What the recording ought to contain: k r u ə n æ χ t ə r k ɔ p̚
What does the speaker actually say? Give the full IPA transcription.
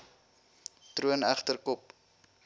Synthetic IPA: t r u ə n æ χ t ə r k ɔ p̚

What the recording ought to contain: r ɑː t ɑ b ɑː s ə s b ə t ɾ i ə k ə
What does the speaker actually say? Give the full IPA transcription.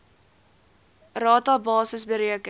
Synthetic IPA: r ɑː t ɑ b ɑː s ə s b ə ɾ i ə k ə

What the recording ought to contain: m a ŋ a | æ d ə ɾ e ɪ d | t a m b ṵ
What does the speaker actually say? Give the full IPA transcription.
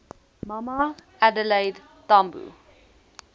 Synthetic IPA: m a m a | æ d ə l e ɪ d | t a m b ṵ

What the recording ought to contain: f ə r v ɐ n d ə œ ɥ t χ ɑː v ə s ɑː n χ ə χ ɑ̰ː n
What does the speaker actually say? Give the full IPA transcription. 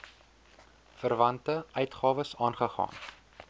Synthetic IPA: f ə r v ɐ n t ə œ ɥ t χ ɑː v ə s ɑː n χ ə χ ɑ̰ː n

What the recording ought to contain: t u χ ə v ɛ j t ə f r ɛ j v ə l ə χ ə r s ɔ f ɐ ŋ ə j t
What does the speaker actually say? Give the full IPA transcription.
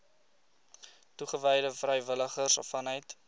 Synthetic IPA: t u χ ə v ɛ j d ə f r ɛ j v ə l ə χ ə r s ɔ f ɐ n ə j t

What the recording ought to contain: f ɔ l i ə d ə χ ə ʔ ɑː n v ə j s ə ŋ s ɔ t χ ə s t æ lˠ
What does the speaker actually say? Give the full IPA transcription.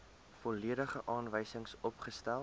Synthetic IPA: f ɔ l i ə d ə χ ə ʔ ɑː n v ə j s ə ŋ s ɔ p χ ə s t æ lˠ

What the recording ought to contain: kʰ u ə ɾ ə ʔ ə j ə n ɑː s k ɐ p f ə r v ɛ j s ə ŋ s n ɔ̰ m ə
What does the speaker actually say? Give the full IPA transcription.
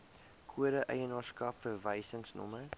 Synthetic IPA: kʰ u ə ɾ ə ʔ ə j ə n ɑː s k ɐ p f ə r v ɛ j s ə ŋ s n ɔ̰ m ə

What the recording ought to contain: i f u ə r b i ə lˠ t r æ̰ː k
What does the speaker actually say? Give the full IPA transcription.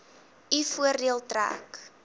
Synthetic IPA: i f u ə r d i ə lˠ t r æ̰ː k

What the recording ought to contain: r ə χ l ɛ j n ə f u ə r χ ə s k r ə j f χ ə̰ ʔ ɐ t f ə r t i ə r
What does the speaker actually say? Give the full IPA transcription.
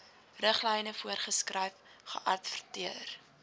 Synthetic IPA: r ə χ l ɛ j n ə f u ə r χ ə s k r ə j f χ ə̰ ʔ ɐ t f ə r t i ə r

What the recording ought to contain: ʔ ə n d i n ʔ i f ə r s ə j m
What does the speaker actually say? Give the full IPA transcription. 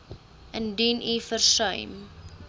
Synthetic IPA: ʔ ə n d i n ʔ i f ə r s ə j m

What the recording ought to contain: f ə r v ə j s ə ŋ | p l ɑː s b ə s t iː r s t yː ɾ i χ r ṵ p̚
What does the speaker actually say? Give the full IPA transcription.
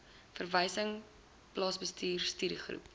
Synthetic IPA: f ə r v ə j s ə ŋ | p l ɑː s b ə s t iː r s t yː ɾ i χ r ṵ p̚

